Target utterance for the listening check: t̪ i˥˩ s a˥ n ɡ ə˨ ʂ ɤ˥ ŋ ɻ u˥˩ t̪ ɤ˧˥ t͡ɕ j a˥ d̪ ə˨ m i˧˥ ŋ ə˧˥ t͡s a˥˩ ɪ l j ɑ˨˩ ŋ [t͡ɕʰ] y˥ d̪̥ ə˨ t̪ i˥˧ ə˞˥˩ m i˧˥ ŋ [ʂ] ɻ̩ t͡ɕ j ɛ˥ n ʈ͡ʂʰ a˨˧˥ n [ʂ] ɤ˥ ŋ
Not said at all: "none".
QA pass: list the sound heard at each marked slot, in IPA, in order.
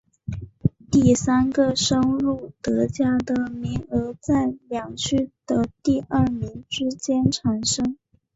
t͡ɕʰ, ʈ͡ʂ, ʂ

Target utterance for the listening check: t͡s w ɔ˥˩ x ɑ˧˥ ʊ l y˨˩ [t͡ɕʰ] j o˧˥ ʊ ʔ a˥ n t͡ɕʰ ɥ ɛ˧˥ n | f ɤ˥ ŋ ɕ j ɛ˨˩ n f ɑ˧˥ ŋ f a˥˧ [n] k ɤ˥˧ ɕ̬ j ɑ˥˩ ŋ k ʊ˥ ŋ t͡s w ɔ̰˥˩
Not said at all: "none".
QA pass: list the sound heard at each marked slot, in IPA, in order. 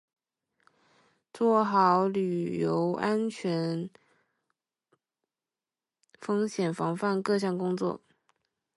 none, n

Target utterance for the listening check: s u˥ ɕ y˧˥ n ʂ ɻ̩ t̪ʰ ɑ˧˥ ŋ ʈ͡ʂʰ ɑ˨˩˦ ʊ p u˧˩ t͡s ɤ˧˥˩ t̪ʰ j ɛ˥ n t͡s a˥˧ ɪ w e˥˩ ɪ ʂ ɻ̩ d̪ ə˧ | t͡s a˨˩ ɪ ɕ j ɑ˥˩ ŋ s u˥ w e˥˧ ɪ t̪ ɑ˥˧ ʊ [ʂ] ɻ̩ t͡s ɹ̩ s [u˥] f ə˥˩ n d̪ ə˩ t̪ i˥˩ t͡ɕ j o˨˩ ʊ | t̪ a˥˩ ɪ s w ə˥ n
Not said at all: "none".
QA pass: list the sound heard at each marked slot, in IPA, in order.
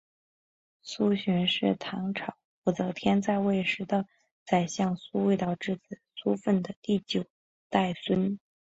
ʈ͡ʂ, u˥

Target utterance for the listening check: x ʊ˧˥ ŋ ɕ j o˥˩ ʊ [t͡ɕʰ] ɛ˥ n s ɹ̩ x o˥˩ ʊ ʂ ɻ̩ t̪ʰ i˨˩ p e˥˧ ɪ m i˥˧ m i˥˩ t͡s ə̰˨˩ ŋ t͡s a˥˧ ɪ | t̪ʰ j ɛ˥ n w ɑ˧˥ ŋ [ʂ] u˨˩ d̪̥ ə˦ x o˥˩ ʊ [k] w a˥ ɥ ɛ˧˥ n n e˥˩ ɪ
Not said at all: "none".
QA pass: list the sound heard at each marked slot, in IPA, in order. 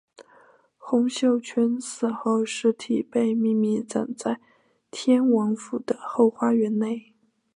t͡ɕʰ, f, x

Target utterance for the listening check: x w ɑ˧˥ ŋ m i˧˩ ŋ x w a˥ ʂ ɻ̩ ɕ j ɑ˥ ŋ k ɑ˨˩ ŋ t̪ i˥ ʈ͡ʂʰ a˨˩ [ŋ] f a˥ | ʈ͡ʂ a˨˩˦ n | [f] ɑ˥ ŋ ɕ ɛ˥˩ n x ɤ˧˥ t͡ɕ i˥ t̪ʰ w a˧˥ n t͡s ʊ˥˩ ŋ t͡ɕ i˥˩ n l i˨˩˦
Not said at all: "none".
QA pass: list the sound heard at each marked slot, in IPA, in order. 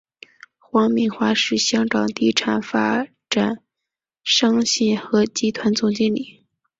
n, ʂ

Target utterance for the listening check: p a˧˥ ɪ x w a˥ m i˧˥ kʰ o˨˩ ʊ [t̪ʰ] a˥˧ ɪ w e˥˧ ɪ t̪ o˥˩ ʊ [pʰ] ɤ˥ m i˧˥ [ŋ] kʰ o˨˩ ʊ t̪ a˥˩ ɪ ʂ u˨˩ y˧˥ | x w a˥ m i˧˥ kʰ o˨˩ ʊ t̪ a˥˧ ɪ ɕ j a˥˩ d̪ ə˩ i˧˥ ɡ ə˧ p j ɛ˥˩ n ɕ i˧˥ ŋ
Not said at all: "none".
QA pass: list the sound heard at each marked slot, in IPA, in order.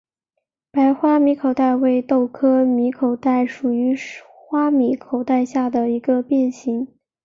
t̪, kʰ, none

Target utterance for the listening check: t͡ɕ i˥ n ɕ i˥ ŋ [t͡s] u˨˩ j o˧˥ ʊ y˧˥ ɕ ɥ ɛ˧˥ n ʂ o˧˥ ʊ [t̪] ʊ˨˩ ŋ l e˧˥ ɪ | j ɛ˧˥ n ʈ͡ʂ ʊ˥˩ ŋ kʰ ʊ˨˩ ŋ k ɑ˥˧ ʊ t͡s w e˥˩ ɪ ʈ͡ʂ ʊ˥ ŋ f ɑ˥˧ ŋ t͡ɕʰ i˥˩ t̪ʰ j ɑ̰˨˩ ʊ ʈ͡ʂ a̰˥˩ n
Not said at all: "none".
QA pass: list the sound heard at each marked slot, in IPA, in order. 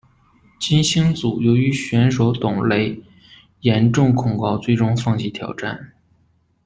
t͡s, t̪

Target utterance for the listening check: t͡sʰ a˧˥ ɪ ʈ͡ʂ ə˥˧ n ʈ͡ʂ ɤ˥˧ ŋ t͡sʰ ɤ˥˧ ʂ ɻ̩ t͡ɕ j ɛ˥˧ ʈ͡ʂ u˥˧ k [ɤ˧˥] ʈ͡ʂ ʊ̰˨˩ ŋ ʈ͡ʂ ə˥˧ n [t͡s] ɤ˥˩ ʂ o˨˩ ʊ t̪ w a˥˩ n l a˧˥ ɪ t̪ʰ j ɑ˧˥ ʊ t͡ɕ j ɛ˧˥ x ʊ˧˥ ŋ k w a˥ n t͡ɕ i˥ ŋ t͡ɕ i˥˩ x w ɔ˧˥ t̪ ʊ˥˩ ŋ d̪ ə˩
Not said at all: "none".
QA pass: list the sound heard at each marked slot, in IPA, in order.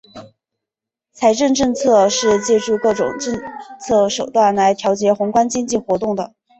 ɤ˥˩, t͡sʰ

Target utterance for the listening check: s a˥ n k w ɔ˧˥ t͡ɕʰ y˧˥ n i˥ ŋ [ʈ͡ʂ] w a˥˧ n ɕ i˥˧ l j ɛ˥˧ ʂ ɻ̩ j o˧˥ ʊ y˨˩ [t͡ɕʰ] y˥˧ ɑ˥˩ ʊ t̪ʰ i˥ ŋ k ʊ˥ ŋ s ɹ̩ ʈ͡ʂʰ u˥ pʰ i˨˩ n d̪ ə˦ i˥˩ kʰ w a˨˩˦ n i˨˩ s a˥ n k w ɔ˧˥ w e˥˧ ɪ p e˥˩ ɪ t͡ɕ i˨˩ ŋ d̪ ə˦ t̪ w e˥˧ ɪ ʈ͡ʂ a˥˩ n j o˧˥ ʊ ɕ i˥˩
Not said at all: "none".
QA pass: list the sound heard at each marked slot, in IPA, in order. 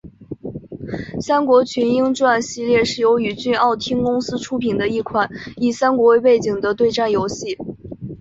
ʈ͡ʂ, t͡ɕ

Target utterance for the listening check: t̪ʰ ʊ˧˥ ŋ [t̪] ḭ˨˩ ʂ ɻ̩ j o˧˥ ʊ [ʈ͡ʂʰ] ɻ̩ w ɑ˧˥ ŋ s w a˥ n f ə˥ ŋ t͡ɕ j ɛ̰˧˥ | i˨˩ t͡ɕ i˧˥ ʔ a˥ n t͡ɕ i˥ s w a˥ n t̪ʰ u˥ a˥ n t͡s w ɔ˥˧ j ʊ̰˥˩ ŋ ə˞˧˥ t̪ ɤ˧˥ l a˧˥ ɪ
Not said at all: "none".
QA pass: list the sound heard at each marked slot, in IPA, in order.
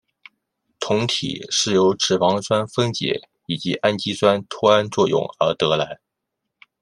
t̪ʰ, ʈ͡ʂ

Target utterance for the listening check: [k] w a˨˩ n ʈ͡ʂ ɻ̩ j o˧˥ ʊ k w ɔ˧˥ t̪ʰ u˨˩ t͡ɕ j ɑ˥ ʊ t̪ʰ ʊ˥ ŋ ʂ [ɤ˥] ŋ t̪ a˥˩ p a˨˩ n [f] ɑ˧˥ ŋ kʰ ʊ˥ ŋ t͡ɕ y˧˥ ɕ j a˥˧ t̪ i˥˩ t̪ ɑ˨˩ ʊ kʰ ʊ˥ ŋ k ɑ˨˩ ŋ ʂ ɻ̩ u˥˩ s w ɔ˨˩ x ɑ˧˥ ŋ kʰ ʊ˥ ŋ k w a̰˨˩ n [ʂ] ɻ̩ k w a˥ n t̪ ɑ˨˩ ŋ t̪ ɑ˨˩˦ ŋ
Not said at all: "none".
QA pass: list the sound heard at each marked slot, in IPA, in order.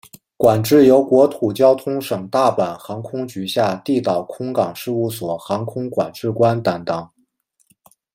k, ɤ˨˩, x, ʈ͡ʂ

